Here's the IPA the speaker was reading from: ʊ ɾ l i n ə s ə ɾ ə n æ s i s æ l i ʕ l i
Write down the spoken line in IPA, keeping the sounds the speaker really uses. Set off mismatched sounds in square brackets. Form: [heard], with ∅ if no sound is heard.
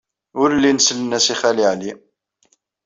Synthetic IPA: ʊ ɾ l i n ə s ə [l] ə n æ s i [χ] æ l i ʕ l i